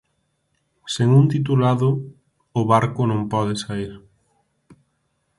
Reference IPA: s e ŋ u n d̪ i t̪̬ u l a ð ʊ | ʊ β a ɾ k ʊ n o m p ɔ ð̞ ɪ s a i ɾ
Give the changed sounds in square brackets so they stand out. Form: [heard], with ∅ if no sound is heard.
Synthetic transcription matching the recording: s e ŋ u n [t̪] i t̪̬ u l a ð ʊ | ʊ β a ɾ k ʊ n [õ] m p ɔ ð̞ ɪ s a i ɾ